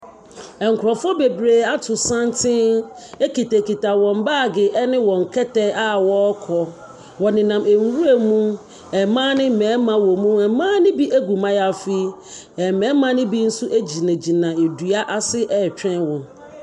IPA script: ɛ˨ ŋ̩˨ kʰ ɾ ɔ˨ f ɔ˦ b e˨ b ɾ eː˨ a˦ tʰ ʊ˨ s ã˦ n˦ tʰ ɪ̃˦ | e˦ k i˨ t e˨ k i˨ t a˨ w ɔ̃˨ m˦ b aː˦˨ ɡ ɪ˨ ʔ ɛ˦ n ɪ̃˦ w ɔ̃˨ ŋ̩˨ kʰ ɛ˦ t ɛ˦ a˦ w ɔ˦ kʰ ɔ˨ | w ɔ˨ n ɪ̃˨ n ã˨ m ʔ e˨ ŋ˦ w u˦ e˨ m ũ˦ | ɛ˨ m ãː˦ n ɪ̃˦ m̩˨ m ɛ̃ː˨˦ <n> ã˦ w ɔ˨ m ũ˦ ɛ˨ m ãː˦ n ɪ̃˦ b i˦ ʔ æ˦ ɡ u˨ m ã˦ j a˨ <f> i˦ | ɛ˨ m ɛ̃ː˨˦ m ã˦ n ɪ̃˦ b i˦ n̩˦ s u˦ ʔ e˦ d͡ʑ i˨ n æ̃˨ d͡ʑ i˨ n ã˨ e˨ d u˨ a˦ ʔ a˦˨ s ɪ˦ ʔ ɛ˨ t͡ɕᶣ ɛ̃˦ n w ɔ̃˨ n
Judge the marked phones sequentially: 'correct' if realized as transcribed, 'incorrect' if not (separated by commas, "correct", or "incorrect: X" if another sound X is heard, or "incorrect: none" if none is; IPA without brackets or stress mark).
incorrect: m, correct